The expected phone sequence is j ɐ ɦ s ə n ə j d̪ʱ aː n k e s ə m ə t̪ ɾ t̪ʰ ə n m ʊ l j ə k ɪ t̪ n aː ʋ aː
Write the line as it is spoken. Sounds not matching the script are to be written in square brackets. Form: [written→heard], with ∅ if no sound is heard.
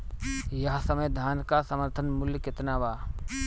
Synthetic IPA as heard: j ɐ ɦ s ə [n→m] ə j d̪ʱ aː n k [e→a] s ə m ə [t̪→∅] ɾ t̪ʰ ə n m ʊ l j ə k ɪ t̪ n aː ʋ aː